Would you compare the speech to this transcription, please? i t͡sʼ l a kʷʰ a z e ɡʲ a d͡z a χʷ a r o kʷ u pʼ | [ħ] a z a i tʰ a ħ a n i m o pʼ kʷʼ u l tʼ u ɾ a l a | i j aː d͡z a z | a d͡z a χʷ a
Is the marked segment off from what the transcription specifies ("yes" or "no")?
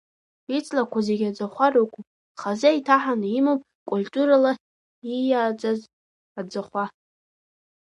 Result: yes